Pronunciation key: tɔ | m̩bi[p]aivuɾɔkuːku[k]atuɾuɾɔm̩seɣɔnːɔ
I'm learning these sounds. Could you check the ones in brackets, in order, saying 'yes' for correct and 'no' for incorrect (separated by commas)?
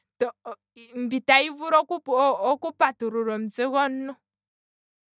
no, no